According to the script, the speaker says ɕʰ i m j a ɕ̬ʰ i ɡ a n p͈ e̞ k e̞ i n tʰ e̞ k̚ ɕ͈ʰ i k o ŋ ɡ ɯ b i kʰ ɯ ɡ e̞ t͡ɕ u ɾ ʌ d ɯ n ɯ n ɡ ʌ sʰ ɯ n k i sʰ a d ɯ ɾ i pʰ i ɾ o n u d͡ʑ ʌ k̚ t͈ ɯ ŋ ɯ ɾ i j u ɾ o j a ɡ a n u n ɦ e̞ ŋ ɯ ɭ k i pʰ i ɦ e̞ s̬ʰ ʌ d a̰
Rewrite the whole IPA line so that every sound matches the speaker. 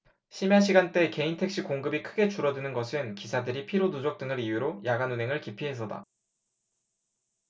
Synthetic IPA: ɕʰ i m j a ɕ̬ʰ i ɡ a n t͈ e̞ k e̞ i n tʰ e̞ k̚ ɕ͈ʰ i k o ŋ ɡ ɯ b i kʰ ɯ ɡ e̞ t͡ɕ u ɾ ʌ d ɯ n ɯ n ɡ ʌ sʰ ɯ n k i sʰ a d ɯ ɾ i pʰ i ɾ o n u d͡ʑ ʌ k̚ t͈ ɯ ŋ ɯ ɾ i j u ɾ o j a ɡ a n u n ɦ e̞ ŋ ɯ ɭ k i pʰ i ɦ e̞ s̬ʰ ʌ d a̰